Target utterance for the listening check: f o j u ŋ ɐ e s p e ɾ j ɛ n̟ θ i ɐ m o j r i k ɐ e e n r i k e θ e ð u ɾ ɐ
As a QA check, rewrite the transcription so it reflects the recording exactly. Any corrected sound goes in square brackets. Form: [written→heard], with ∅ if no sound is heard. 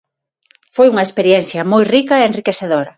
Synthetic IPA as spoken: f o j u ŋ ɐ e s p e ɾ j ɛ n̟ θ [i→j] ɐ m o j r i k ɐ e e n r i k e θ e ð [u→o] ɾ ɐ